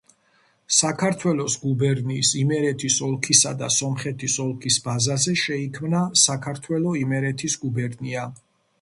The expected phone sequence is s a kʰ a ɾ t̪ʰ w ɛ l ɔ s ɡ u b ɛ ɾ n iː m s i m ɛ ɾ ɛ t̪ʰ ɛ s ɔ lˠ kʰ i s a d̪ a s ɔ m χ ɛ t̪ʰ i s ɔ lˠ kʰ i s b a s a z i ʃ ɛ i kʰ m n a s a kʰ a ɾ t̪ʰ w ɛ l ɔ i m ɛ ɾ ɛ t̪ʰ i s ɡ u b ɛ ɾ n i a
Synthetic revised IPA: s a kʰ a ɾ t̪ʰ w ɛ l ɔ s ɡ u b ɛ ɾ n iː s i m ɛ ɾ ɛ t̪ʰ i s ɔ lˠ kʰ i s a d̪ a s ɔ m χ ɛ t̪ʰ i s ɔ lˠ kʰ i s b a z a z ɛ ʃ ɛ i kʰ m n a s a kʰ a ɾ t̪ʰ w ɛ l ɔ i m ɛ ɾ ɛ t̪ʰ i s ɡ u b ɛ ɾ n i a